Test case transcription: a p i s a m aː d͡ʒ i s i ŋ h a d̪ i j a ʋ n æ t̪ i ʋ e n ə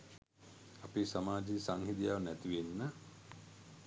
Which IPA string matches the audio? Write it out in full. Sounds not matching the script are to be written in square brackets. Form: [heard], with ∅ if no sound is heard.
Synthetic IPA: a p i s a m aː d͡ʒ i s [a] ŋ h [i] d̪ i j a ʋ n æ t̪ i ʋ e [nː] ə

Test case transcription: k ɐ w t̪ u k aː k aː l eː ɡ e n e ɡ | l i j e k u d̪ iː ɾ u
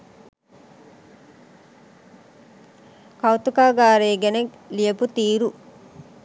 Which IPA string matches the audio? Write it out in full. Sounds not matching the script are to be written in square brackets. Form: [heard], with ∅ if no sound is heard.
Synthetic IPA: k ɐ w t̪ u k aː [ɡ] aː [ɾ] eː ɡ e n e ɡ | l i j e [p] u [t̪] iː ɾ u

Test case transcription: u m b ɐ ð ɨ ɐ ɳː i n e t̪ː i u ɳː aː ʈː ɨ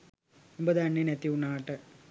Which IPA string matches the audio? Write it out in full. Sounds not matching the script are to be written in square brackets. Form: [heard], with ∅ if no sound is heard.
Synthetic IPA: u m b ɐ ð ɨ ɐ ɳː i n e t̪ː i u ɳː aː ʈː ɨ

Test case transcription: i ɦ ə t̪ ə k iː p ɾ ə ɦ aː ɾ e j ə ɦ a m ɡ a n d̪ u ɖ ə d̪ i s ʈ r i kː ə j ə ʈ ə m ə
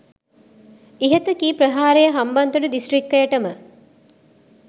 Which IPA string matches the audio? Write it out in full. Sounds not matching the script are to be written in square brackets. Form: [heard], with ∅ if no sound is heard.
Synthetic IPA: i ɦ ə t̪ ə k iː p ɾ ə ɦ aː ɾ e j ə ɦ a m [b] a n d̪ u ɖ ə d̪ i s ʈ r i kː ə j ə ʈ ə m ə

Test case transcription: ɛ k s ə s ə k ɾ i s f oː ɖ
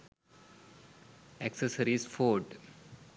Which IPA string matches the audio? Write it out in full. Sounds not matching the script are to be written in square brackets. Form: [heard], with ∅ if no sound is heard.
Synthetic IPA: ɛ k s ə s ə [∅] ɾ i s f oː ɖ

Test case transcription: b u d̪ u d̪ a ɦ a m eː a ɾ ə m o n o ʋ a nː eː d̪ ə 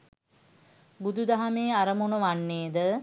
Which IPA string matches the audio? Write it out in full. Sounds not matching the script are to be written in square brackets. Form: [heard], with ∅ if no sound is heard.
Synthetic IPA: b u d̪ u d̪ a ɦ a m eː a ɾ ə m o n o ʋ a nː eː d̪ ə

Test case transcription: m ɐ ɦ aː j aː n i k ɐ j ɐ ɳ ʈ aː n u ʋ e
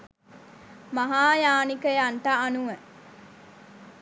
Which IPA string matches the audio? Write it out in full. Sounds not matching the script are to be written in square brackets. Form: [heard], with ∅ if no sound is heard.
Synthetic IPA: m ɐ ɦ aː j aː n i k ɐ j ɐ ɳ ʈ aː n u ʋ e

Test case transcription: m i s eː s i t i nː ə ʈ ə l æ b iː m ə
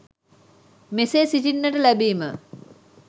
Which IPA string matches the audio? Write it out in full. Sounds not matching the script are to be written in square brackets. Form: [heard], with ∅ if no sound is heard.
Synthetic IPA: m [e] s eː s i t i nː ə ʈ ə l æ b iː m ə

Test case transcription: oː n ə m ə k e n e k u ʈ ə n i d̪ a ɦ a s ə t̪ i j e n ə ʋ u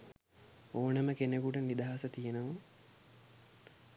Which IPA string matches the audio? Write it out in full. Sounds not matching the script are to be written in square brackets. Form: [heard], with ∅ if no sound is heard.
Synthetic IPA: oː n ə m ə k e n e k u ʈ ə n i d̪ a ɦ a s ə t̪ i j e n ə ʋ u

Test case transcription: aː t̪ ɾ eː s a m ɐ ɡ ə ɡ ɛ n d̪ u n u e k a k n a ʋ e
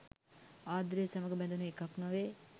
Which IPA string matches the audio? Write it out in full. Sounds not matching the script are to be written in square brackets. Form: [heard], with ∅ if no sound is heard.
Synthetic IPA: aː [d̪] ɾ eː s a m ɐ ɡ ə [b] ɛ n d̪ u n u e k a k n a ʋ e

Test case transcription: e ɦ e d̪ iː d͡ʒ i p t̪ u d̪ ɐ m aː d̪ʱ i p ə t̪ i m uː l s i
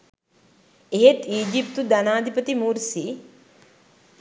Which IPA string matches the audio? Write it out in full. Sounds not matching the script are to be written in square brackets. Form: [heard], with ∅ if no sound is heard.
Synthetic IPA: e ɦ e [t̪] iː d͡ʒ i p t̪ u d̪ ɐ [n] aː d̪ʱ i p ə t̪ i m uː [ɾ] s i

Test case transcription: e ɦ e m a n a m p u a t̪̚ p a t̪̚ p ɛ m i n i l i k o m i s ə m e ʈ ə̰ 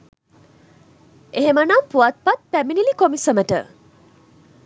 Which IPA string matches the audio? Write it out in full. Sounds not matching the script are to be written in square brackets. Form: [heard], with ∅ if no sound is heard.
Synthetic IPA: e ɦ e m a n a m p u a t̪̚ p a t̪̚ p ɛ m i n i l i k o m i s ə m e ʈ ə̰

